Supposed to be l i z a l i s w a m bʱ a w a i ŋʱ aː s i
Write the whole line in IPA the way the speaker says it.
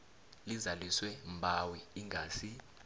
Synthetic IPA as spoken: l i z a l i s w ɛ m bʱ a w i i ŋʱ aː s i